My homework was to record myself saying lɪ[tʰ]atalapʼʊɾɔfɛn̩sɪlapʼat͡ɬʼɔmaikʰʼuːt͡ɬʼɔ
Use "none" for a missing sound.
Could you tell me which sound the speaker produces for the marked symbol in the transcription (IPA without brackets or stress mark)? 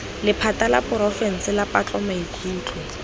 pʰ